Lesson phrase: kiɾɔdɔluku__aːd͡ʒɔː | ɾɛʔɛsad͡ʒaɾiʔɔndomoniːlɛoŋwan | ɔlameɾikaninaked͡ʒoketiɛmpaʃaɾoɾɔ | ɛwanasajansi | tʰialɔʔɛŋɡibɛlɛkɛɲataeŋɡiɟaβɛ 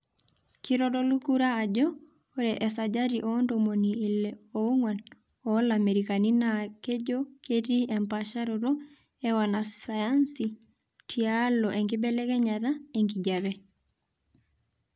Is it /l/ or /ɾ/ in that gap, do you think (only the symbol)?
ɾ